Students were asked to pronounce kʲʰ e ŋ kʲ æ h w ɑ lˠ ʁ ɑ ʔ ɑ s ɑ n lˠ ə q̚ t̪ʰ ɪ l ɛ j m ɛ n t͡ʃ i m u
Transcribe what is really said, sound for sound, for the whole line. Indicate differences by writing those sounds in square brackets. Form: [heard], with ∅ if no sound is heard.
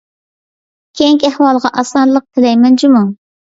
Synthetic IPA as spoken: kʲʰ e ŋ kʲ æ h w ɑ lˠ ʁ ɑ ʔ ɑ s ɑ n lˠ ə q̚ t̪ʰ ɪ l ɛ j m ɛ n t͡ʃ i m u